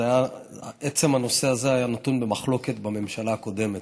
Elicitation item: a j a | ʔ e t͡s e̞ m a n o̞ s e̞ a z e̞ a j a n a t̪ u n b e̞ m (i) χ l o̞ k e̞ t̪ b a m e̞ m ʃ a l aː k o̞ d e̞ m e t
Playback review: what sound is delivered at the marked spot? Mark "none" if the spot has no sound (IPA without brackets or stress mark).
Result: a